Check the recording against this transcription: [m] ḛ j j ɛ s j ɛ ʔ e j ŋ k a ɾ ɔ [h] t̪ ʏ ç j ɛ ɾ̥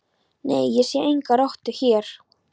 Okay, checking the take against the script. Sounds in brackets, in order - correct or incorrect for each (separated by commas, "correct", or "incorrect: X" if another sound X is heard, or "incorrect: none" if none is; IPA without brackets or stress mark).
incorrect: n, correct